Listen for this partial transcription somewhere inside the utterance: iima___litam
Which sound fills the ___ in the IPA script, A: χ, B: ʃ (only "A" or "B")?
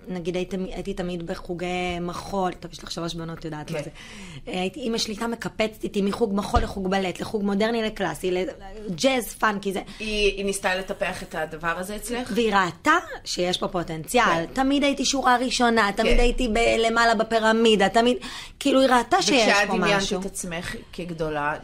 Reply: B